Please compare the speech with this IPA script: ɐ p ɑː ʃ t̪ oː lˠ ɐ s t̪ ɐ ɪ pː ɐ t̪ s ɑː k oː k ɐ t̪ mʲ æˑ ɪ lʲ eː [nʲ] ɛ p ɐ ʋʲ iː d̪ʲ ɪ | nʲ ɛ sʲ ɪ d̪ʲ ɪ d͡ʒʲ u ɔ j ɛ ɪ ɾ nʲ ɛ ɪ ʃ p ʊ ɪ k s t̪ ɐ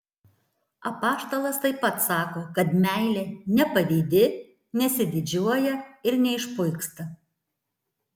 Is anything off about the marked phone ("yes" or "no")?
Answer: no